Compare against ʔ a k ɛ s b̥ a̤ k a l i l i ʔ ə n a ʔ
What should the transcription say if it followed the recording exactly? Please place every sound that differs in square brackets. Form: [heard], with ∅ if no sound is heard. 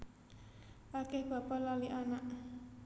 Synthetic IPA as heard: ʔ a k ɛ [h] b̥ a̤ [p] a l [a] l i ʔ [a] n a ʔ